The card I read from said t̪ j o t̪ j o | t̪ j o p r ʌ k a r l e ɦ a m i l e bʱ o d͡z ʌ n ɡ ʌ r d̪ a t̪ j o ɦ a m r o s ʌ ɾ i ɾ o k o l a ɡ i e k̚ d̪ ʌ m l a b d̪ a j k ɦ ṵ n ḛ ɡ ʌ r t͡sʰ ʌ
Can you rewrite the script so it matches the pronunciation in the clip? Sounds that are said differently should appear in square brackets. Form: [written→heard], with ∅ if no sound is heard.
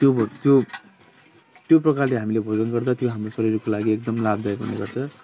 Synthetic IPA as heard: t̪ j o t̪ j o | t̪ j o p r ʌ k a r l e ɦ a m i l e bʱ o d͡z ʌ n ɡ ʌ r d̪ a t̪ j o ɦ a m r o s ʌ ɾ i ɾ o k o l a ɡ i e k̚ d̪ ʌ m l a b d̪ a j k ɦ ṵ n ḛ ɡ ʌ r t͡sʰ ʌ